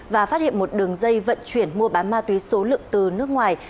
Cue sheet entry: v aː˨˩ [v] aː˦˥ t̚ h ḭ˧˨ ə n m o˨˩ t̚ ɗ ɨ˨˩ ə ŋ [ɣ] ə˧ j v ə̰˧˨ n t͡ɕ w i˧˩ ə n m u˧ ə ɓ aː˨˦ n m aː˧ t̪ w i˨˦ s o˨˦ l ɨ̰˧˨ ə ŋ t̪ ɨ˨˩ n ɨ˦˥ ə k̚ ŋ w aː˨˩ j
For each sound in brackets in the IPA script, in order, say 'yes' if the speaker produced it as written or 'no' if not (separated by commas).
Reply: no, no